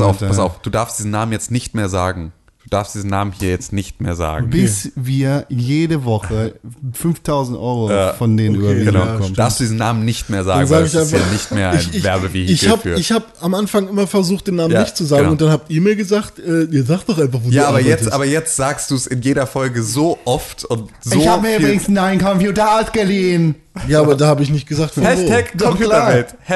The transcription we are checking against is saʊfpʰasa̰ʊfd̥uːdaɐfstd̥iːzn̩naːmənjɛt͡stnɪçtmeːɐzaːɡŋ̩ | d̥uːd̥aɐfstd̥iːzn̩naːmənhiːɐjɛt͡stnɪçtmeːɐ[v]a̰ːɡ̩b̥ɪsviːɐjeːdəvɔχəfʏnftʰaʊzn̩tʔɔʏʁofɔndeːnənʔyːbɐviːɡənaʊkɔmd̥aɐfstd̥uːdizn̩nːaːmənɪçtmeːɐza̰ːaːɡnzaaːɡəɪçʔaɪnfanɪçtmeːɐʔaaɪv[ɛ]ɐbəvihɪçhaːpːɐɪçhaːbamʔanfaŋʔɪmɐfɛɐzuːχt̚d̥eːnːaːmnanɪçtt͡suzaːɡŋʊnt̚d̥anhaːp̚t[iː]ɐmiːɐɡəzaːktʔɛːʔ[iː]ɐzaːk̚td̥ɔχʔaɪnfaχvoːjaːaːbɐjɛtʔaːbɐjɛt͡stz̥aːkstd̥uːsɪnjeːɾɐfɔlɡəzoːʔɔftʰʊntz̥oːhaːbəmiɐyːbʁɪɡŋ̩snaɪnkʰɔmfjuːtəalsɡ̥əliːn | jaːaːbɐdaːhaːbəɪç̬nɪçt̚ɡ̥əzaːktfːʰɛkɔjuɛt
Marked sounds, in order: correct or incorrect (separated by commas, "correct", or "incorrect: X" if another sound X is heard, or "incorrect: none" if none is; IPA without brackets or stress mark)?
incorrect: z, correct, correct, correct